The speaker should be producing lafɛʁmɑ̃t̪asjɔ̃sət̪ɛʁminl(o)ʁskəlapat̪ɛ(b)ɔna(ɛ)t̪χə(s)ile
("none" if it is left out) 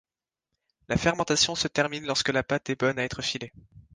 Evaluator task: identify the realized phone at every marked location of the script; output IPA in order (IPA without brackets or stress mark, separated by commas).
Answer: ɔ, b, ɛ, f